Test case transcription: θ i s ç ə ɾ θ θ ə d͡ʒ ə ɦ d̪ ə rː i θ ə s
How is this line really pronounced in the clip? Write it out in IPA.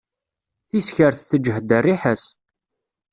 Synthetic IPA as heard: θ i s ç ə ɾ θ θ ə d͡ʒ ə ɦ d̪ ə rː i ħ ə s